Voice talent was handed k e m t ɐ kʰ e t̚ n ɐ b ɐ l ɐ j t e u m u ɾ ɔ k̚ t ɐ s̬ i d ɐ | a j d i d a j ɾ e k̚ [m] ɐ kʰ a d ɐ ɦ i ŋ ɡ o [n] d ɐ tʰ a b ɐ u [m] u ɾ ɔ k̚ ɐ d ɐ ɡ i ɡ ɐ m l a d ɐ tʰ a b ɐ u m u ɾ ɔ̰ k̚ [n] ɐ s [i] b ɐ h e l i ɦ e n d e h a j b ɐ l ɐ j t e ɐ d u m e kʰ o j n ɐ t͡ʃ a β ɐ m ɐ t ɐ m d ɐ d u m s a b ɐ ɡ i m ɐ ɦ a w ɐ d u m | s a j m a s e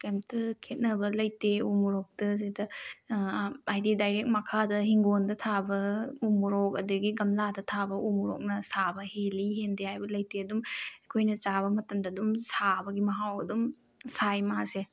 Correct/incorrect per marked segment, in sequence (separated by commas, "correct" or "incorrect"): correct, correct, correct, correct, incorrect